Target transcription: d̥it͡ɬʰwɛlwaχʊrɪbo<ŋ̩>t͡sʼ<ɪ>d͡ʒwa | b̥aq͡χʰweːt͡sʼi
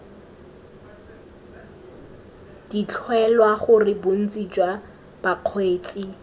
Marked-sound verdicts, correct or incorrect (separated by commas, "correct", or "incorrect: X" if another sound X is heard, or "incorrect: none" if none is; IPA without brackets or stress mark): incorrect: n̩, incorrect: i